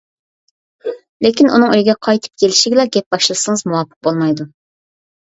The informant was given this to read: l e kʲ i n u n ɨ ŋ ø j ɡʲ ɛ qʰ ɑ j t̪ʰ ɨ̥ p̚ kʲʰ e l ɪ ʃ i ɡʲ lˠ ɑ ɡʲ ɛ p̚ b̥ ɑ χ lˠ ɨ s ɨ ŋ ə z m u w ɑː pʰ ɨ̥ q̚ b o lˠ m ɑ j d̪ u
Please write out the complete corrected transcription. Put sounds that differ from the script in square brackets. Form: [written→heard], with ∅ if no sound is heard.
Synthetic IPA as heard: l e kʲ i n u n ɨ ŋ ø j ɡʲ ɛ qʰ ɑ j t̪ʰ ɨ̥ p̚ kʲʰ e l ɪ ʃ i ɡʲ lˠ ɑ ɡʲ ɛ p̚ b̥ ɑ [χ→ʃ] lˠ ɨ s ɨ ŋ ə z m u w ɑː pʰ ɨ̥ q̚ b o lˠ m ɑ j d̪ u